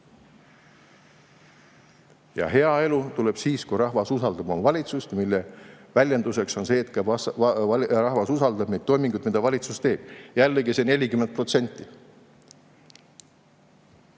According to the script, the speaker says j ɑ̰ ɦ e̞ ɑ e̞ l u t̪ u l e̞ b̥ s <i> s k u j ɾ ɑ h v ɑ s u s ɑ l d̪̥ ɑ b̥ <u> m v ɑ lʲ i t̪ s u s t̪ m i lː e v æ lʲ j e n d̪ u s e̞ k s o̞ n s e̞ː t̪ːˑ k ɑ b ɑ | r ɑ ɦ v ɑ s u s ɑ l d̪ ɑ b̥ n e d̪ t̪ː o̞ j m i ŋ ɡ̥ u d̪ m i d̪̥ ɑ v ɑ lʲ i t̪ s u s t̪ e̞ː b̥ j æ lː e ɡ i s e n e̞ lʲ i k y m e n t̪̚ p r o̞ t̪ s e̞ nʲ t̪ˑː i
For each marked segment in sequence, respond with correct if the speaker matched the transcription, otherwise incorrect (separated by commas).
incorrect, incorrect